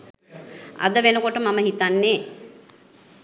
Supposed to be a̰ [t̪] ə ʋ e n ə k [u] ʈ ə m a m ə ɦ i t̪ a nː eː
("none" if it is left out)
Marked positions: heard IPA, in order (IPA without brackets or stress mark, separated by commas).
d̪, o